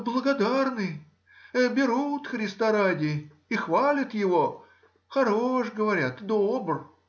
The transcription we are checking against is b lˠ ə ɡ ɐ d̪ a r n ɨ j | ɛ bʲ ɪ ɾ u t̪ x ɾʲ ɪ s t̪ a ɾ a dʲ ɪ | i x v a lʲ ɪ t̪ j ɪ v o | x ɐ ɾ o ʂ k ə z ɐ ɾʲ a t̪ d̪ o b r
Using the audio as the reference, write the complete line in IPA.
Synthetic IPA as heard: b lˠ ə ɡ ɐ d̪ a r n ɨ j | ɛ bʲ ɪ ɾ u t̪ x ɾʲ ɪ s t̪ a ɾ a dʲ ɪ | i x v a lʲ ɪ t̪ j ɪ v o | x ɐ ɾ o ʂ ɡ ə v ɐ ɾʲ a t̪ d̪ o b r

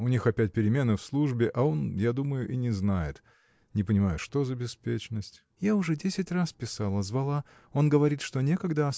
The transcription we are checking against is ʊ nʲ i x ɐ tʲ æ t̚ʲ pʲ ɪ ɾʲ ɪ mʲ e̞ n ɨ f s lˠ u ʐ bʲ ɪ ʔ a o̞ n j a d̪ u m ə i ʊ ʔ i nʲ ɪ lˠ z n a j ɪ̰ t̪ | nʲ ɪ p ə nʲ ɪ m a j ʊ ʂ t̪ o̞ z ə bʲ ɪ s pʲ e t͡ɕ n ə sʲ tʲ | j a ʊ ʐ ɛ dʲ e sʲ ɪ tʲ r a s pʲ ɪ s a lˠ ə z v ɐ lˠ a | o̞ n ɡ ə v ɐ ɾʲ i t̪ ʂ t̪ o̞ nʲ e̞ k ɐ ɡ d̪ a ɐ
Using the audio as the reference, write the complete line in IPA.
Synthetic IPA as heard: ʊ nʲ i x ɐ pʲ æ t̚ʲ pʲ ɪ ɾʲ ɪ mʲ e̞ n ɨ f s lˠ u ʐ bʲ ɪ ʔ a o̞ n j a d̪ u m ə j ʊ ʔ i nʲ ɪ z n a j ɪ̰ t̪ | nʲ ɪ p ə nʲ ɪ m a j ʊ ʂ t̪ o̞ z ə bʲ ɪ s pʲ e t͡ɕ n ə sʲ tʲ | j a ʊ ʐ ɛ dʲ e sʲ ɪ tʲ r a s pʲ ɪ s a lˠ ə z v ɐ lˠ a | o̞ n ɡ ə v ɐ ɾʲ i t̪ ʂ t̪ o̞ nʲ e̞ k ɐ ɡ d̪ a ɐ

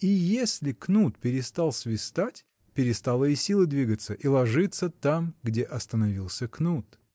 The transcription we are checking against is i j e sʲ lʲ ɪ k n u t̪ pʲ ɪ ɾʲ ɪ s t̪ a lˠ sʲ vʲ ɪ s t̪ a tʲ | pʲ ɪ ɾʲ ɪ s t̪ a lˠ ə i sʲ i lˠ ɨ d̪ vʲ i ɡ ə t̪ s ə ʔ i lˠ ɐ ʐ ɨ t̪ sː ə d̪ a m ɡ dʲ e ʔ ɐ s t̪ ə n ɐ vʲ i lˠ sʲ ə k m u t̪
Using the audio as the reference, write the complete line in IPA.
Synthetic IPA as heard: i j e sʲ lʲ ɪ k n u t̪ pʲ ɪ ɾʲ ɪ s t̪ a lˠ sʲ vʲ ɪ s t̪ a tʲ | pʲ ɪ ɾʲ ɪ s t̪ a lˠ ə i sʲ i lˠ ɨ d̪ vʲ i ɡ ə t̪ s ə ʔ i lˠ ɐ ʐ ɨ t̪ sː ə t̪ a m ɡ dʲ e ʔ ɐ s t̪ ə n ɐ vʲ i lˠ sʲ ə k n u t̪

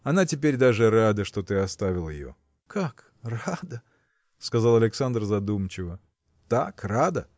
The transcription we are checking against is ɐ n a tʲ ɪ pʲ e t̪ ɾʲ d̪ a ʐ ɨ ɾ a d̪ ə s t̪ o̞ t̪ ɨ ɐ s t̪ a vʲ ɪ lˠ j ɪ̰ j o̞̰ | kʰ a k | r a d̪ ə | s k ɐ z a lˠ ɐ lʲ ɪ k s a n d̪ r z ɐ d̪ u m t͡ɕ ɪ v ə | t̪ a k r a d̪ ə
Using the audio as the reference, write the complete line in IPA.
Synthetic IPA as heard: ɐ n a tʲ ɪ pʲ e ɾʲ d̪ a ʐ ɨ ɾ a d̪ ə ʂ t̪ o̞ t̪ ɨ ɐ s t̪ a vʲ ɪ lˠ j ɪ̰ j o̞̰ | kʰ a k | r a d̪ ə | s k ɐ z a lˠ ɐ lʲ ɪ k s a n d̪ r z ɐ d̪ u m t͡ɕ ɪ v ə | t̪ a k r a d̪ ə

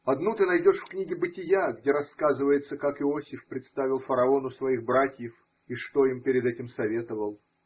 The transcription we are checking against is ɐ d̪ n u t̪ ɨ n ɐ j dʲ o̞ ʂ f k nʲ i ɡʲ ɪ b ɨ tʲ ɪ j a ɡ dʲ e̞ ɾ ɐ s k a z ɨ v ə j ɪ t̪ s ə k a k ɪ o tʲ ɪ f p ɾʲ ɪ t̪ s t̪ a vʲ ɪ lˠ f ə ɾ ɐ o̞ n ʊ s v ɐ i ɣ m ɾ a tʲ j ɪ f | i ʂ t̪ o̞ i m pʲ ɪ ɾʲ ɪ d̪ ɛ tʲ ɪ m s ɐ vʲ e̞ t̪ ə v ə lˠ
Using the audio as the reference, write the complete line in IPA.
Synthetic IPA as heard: ɐ d̪ n u t̪ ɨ n ɐ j dʲ o̞ ʂ f k nʲ i ɡʲ ɪ b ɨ tʲ ɪ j a ɡ dʲ e̞ ɾ ɐ s k a z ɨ v ə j ɪ t̪ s ə k a k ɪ o sʲ ɪ f p ɾʲ ɪ t̪ s t̪ a vʲ ɪ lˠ f ə ɾ ɐ o̞ n ʊ s v ɐ i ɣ b ɾ a tʲ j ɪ f | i ʂ t̪ o̞ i m pʲ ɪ ɾʲ ɪ d̪ ɛ tʲ ɪ m s ɐ vʲ e̞ t̪ ə v ə lˠ

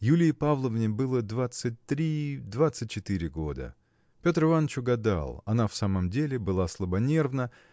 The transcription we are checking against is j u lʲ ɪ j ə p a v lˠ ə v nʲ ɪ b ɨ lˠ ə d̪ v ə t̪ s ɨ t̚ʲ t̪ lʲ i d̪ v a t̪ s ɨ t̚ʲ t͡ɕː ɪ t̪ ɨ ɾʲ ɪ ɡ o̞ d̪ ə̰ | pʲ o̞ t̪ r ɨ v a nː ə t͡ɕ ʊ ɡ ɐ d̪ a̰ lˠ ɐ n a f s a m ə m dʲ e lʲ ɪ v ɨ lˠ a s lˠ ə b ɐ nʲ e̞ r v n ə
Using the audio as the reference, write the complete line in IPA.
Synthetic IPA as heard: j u lʲ ɪ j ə p a v lˠ ə v nʲ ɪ b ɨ lˠ ə d̪ v a t̪ s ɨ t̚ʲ t̪ ɾʲ i d̪ v a t̪ s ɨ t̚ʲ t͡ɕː ɪ t̪ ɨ ɾʲ ɪ ɡ o̞ d̪ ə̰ | pʲ o̞ t̪ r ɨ v a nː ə t͡ɕ ʊ ɡ ɐ d̪ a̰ lˠ ɐ n a f s a m ə m dʲ e lʲ ɪ b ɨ lˠ a s lˠ ə b ɐ nʲ e̞ r v n ə

